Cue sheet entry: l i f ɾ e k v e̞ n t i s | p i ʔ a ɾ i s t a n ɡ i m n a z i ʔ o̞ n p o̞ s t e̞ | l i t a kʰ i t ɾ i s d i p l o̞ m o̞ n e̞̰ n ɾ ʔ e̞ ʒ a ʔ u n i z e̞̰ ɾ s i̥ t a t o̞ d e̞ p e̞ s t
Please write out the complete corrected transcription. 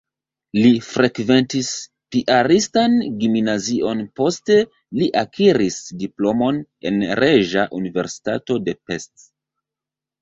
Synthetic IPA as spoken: l i f ɾ e k v e̞ n t i s | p i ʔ a ɾ i s t a n ɡ i m n a z i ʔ o̞ n p o̞ s t e̞ | l i ʔ a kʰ i ɾ i s d i p l o̞ m o̞ n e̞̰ n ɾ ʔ e̞ ʒ a ʔ u n i v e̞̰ ɾ s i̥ t a t o̞ d e̞ p e̞ s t